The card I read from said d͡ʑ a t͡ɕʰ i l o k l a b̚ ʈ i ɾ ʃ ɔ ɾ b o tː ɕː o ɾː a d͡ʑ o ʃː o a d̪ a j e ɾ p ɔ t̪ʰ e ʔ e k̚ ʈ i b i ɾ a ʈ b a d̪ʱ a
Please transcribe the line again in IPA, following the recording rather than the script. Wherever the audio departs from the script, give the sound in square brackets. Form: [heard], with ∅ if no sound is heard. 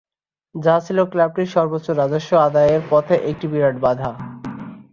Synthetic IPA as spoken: d͡ʑ a t͡ɕʰ i l o k l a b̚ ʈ i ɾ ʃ ɔ ɾ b o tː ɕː o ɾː a d͡ʑ o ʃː o a d̪ a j e ɾ p ɔ t̪ʰ e ʔ e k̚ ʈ i b i ɾ a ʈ b a d̪ʱ a

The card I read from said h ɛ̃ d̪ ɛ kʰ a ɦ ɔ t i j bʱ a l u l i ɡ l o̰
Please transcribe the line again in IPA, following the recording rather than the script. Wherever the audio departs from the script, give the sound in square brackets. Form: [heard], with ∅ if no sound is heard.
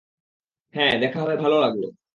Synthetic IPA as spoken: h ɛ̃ d̪ ɛ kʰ a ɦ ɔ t [a] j bʱ a l [o] l [a] ɡ l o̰

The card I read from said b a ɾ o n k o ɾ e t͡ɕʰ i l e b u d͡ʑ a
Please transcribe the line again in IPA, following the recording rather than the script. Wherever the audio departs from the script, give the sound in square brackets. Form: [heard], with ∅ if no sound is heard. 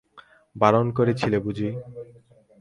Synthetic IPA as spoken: b a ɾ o n k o ɾ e t͡ɕʰ i l e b u d͡ʑ [i]

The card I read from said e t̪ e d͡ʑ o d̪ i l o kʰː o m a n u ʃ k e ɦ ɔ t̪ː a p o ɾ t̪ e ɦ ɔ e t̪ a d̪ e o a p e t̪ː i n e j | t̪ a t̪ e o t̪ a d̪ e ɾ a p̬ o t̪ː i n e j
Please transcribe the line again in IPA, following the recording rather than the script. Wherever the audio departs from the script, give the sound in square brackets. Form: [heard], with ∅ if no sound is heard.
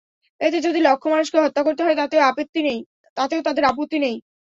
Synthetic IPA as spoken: e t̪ e d͡ʑ o d̪ i l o kʰː o m a n u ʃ k e ɦ ɔ t̪ː a [k] o ɾ t̪ e ɦ ɔ e t̪ a [t̪] e o a p e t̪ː i n e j | t̪ a t̪ e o t̪ a d̪ e ɾ a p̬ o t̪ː i n e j

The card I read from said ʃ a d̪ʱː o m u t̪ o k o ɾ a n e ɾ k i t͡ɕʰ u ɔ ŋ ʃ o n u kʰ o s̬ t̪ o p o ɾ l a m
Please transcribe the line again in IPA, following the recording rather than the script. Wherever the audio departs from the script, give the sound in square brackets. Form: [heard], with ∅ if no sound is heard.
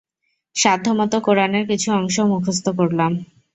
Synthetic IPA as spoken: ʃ a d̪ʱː o m [ɔ] t̪ o k o ɾ a n e ɾ k i t͡ɕʰ u ɔ ŋ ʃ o [m] u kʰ o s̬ t̪ o [k] o ɾ l a m

